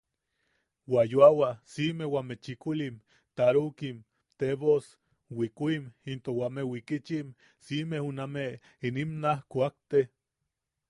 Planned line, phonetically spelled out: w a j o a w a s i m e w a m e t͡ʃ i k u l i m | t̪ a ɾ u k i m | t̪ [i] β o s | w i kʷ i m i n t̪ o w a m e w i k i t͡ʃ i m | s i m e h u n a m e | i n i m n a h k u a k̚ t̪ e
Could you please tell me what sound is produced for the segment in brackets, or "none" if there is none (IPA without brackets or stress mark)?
e